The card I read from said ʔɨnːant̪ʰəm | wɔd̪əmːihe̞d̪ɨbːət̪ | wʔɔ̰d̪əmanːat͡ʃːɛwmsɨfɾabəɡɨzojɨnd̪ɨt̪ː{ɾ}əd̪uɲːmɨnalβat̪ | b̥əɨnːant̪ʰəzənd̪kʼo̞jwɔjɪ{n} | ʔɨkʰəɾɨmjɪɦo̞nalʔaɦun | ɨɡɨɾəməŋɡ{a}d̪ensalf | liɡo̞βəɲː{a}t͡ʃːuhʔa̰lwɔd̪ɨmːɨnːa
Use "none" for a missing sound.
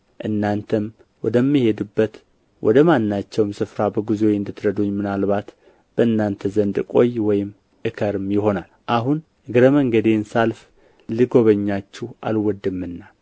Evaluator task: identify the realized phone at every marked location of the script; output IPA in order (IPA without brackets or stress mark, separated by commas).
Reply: ɾ, m, ə, a